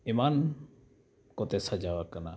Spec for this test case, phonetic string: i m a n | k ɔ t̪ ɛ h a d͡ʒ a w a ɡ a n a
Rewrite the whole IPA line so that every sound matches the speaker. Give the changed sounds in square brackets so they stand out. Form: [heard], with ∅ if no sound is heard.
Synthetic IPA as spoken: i m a n | k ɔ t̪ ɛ [s] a d͡ʒ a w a [k] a n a